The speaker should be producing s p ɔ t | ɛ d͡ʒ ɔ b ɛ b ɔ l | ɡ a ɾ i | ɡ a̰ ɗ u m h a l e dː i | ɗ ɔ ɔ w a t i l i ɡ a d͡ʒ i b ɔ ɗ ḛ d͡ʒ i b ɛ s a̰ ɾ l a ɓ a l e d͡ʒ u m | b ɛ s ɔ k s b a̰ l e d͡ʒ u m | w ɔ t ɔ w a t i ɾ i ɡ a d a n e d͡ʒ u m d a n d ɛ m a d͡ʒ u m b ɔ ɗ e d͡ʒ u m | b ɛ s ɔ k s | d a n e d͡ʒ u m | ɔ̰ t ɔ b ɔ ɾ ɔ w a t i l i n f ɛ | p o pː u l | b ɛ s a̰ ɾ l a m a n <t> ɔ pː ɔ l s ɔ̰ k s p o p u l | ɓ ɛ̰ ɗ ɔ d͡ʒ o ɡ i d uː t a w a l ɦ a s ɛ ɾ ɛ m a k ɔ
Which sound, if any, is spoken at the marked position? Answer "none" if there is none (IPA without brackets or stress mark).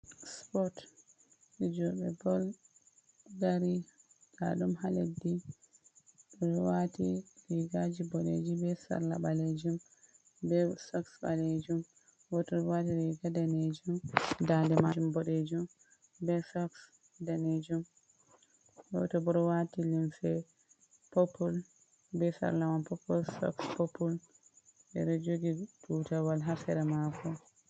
p